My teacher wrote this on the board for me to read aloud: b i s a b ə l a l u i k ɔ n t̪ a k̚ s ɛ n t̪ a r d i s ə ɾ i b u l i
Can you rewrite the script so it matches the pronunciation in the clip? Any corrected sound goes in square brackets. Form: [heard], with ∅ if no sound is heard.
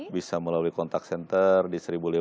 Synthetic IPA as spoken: b i s a [m] ə l a l u i k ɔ n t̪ a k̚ s ɛ n t̪ [ə] r d i s ə ɾ i b u l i